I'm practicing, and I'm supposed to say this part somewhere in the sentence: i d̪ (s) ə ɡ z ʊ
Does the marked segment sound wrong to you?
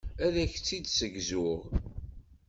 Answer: no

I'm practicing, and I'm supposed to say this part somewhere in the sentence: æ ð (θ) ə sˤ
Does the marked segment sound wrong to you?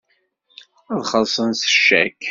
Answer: yes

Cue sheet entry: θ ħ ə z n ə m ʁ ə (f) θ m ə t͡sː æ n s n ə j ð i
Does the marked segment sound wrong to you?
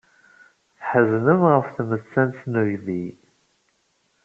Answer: no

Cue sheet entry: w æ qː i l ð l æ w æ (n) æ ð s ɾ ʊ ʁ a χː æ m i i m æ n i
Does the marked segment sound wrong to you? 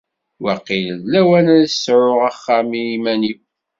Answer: no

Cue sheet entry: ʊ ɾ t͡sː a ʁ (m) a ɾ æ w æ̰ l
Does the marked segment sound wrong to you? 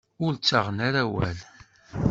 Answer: yes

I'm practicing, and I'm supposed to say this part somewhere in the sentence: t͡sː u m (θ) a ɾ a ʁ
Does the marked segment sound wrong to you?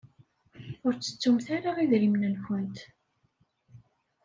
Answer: no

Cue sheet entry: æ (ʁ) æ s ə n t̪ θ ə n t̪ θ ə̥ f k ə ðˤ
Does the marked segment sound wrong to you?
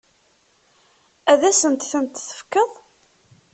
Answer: yes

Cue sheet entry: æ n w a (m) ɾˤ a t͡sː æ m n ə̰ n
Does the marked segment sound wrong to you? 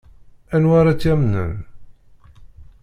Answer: yes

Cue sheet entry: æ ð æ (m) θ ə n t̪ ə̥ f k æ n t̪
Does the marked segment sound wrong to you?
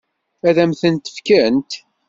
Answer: no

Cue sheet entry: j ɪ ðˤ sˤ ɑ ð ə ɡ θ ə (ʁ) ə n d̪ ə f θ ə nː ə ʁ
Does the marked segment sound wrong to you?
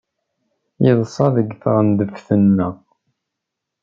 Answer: no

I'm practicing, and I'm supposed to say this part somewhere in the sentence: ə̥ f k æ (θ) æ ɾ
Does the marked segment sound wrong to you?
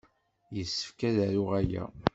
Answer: yes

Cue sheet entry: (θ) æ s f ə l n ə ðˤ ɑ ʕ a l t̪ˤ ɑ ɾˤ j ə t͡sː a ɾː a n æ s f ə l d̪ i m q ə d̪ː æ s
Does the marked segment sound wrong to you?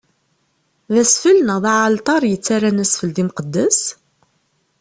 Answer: yes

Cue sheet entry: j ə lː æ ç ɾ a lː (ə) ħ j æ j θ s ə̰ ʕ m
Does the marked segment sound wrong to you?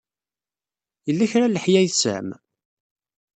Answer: no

